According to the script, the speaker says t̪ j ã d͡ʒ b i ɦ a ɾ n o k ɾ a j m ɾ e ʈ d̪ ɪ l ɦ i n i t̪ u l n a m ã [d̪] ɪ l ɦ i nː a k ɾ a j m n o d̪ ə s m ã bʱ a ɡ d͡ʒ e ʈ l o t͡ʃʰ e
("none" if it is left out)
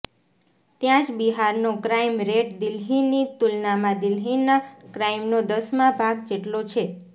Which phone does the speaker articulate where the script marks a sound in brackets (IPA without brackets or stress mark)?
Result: d̪